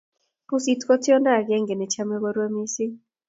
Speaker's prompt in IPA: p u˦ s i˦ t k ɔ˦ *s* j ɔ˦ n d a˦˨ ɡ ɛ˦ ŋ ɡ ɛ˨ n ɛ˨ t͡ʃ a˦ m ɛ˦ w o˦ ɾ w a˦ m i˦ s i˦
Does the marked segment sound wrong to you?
yes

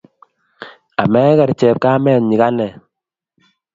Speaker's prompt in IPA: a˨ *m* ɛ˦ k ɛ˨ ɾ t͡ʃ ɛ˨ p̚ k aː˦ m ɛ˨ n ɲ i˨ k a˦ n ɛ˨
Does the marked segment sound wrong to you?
no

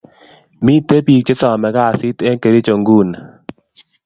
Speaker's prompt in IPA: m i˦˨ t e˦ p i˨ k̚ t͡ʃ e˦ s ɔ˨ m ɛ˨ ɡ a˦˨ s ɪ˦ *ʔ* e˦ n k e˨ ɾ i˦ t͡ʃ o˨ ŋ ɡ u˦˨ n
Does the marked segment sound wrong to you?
yes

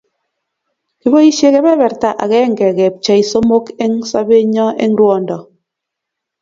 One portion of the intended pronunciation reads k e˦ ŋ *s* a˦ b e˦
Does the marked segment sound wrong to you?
no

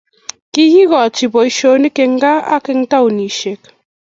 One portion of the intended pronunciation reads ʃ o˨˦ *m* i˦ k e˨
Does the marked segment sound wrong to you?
yes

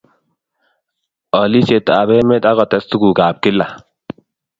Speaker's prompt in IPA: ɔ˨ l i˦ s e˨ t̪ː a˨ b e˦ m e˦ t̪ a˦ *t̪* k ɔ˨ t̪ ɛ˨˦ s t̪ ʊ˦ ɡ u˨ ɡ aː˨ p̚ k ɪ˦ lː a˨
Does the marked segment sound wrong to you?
yes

